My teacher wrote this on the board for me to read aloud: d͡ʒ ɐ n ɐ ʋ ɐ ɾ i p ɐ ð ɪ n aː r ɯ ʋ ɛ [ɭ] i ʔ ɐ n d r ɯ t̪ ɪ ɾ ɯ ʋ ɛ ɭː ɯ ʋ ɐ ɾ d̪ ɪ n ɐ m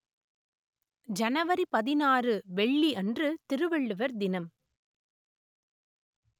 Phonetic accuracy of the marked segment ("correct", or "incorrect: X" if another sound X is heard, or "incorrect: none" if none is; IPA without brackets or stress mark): incorrect: ɭː